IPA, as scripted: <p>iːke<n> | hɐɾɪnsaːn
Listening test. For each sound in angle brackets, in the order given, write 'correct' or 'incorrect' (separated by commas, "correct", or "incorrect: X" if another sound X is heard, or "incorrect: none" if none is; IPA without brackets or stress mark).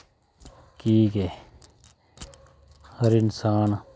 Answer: incorrect: k, incorrect: none